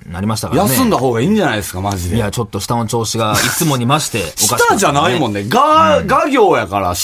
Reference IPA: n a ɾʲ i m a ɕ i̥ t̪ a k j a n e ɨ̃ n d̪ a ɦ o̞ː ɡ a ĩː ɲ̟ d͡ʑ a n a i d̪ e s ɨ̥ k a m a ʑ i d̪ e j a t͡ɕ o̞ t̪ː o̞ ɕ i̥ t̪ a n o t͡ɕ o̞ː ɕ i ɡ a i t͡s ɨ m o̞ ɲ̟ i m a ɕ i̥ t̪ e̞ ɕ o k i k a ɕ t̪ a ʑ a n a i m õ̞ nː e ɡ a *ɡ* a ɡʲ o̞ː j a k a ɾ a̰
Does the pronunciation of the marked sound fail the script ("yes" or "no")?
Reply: no